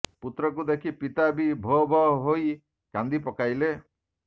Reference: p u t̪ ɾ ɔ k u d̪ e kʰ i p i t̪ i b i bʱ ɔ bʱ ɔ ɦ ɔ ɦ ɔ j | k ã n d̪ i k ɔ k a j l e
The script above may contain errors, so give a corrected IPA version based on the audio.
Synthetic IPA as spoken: p u t̪ ɾ ɔ k u d̪ e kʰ i p i t̪ a b i bʱ ɔ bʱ ɔ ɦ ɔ ɦ o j | k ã n d̪ i p ɔ k a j l e